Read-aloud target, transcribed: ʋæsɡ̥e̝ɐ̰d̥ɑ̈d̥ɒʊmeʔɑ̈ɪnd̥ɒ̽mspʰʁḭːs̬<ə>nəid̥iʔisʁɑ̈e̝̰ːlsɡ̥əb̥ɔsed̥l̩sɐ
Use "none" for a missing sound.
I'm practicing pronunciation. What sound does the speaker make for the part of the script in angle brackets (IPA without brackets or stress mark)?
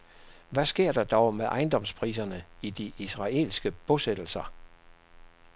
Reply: ɐ